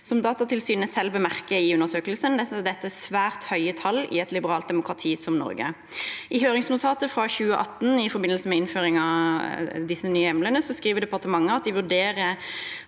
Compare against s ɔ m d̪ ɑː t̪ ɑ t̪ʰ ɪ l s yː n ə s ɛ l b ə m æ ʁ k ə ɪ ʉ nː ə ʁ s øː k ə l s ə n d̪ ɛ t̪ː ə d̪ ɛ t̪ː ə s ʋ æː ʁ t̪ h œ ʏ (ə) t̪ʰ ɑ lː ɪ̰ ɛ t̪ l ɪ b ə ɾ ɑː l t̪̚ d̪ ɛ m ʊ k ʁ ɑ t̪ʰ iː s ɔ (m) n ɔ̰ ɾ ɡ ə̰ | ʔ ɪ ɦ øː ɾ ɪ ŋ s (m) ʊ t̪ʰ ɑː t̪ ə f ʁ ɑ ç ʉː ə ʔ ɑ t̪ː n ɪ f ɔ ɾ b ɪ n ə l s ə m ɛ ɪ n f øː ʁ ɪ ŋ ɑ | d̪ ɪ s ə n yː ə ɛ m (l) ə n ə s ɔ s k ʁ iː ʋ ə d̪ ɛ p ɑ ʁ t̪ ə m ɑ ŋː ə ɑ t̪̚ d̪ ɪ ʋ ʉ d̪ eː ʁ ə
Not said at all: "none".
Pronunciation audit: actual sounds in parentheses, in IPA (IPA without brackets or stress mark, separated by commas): ə, m, n, l